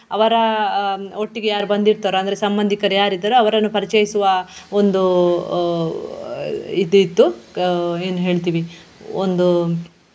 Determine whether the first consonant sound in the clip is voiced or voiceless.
voiced